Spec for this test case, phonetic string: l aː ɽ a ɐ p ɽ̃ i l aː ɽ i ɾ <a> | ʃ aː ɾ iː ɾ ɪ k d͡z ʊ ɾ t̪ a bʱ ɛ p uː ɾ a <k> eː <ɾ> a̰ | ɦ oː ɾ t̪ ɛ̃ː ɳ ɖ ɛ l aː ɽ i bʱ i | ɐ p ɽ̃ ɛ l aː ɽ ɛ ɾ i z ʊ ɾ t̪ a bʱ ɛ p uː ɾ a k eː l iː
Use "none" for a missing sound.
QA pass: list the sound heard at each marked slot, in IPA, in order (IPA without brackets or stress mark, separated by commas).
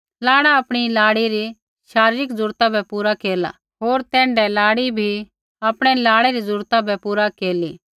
i, k, l